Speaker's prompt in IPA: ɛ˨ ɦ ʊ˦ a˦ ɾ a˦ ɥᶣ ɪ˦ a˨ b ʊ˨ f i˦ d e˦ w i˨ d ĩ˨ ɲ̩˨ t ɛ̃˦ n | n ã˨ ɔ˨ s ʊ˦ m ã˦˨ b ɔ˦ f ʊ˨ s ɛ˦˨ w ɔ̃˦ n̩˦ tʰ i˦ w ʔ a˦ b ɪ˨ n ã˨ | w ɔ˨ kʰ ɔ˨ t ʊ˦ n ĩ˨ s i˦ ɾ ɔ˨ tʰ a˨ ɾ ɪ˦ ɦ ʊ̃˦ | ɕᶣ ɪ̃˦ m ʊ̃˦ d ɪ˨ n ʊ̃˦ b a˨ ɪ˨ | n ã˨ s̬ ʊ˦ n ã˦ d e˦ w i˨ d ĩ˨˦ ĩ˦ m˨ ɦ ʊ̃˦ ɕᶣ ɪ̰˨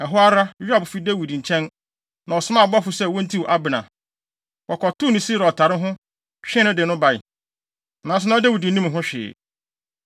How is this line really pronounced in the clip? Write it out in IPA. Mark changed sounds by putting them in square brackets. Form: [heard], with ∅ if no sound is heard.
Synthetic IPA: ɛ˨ ɦ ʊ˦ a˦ ɾ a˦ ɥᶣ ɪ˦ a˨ b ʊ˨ f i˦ d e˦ w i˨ d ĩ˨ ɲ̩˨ [t͡ɕʰ] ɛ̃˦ n | n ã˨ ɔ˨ s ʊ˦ m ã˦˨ b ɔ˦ f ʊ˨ s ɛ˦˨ w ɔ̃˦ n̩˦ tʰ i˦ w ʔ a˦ b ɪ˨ n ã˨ | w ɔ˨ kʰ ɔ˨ t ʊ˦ n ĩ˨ s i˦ ɾ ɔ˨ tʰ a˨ ɾ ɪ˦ ɦ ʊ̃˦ | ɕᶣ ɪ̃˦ [n] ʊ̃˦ d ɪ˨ n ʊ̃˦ b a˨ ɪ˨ | n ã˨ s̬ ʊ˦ n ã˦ d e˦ w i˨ d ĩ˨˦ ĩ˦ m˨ ɦ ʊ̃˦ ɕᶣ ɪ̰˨